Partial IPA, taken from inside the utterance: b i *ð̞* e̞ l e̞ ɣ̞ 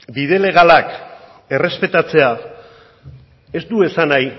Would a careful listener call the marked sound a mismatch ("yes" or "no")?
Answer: no